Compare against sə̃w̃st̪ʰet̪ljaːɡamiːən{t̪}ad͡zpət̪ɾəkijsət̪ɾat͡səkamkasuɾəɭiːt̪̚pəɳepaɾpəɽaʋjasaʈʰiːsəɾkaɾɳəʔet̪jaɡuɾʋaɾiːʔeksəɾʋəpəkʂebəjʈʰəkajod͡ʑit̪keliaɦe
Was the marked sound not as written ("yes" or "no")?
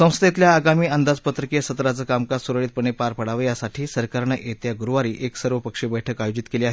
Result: yes